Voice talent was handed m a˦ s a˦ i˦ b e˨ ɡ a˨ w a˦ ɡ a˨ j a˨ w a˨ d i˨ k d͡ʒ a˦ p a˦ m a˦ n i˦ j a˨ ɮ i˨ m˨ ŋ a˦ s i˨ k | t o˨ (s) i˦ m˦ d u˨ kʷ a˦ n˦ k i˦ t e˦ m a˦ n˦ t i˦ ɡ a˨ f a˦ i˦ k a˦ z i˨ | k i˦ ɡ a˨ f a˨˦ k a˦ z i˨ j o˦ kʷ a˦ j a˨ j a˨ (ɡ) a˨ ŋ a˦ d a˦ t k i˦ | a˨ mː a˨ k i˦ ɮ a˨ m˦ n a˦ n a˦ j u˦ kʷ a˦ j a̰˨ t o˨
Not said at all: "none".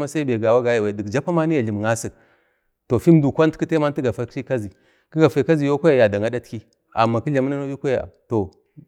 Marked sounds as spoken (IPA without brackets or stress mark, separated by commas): f, d